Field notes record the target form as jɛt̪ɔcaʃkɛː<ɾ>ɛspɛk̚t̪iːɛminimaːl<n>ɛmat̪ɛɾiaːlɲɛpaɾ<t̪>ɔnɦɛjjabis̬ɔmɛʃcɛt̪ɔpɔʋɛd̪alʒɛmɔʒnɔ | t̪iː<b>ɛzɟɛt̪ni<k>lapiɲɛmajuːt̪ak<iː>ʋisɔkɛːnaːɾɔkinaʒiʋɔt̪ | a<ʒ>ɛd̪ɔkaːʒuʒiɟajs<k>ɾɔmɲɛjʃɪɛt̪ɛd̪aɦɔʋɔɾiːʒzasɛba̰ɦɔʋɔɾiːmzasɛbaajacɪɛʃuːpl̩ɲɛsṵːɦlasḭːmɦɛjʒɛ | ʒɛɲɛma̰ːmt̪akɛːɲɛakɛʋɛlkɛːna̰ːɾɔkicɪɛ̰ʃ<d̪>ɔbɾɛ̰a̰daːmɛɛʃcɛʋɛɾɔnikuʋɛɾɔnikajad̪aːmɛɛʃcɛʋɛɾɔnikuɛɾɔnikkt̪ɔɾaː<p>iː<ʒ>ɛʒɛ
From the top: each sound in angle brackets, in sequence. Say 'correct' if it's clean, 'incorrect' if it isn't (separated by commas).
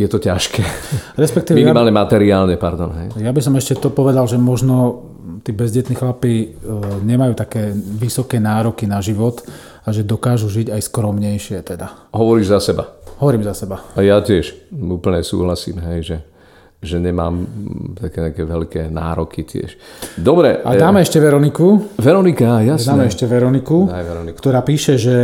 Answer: correct, incorrect, incorrect, correct, incorrect, incorrect, correct, correct, correct, correct, incorrect